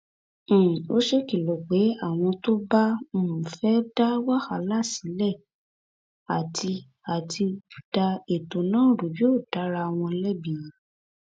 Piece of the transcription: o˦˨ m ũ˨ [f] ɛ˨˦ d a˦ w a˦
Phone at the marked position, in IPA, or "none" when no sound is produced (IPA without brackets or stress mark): f